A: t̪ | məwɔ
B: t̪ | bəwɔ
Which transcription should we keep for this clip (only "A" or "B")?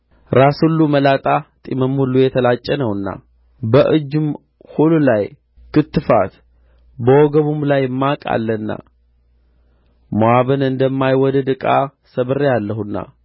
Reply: B